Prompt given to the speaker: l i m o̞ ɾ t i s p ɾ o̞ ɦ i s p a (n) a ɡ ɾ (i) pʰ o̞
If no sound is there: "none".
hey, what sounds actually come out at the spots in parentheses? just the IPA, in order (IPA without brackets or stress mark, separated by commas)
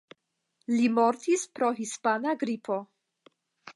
n, i